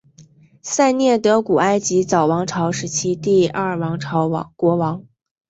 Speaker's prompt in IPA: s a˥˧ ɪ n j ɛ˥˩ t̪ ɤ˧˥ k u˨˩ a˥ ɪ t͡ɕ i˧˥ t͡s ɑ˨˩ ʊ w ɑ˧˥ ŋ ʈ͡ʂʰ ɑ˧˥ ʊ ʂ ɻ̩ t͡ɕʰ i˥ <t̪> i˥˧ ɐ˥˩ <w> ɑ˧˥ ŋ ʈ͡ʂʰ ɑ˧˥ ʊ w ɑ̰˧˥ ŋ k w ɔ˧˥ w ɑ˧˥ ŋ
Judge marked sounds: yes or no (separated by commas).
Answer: yes, yes